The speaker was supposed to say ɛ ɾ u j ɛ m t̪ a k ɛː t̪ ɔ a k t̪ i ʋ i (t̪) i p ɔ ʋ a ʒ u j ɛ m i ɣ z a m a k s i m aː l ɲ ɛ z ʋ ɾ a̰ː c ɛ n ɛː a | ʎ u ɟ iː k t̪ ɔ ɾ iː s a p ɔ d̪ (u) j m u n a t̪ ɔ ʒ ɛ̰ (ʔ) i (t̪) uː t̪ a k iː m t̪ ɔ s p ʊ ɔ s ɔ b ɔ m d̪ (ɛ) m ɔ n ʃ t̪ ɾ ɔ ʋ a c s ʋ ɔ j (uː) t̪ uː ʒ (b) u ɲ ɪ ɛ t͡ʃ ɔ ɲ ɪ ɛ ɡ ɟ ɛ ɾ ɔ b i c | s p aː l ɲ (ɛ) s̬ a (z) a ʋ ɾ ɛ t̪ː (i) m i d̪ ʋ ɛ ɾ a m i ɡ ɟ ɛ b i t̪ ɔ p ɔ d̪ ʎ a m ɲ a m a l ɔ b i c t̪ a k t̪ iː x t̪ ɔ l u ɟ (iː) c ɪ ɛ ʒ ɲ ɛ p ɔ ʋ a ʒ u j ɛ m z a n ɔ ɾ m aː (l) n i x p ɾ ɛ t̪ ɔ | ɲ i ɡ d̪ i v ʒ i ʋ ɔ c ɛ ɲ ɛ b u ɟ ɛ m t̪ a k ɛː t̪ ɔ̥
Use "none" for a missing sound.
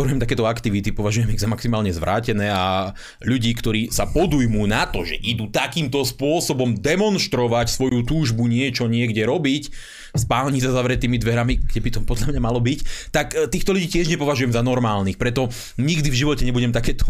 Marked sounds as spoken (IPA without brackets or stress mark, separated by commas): t̪, u, ʔ, d̪, ɛ, u, b, i, z, iː, iː, l